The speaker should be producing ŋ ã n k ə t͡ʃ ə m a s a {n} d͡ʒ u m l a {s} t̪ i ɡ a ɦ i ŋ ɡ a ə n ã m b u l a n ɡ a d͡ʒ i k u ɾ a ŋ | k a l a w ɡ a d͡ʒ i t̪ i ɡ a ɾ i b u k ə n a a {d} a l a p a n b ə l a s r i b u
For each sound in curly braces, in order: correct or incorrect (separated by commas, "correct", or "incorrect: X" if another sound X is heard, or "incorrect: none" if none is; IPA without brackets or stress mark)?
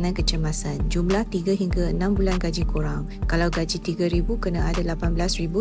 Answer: correct, incorrect: h, correct